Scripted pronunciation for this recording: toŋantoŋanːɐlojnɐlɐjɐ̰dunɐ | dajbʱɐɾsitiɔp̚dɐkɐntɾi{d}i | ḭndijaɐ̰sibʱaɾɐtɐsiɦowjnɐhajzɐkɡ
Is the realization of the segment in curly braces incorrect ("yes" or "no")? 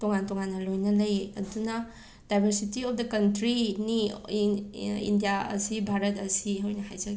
yes